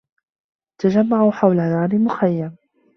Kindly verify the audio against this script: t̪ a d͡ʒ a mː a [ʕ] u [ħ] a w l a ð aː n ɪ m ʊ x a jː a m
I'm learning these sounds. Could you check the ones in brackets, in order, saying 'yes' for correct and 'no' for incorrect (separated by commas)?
yes, yes